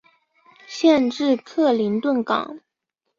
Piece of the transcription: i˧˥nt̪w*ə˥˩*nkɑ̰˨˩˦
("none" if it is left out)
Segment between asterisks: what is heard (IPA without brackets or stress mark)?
ə˥˩